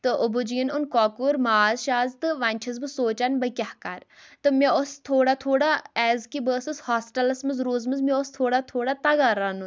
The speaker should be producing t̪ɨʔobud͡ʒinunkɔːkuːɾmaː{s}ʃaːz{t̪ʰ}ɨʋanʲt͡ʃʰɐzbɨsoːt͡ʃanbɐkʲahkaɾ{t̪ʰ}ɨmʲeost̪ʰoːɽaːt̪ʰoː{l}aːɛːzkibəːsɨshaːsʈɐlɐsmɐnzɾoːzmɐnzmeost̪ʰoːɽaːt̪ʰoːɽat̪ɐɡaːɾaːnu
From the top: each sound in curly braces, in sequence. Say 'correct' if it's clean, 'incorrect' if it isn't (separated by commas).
incorrect, incorrect, incorrect, incorrect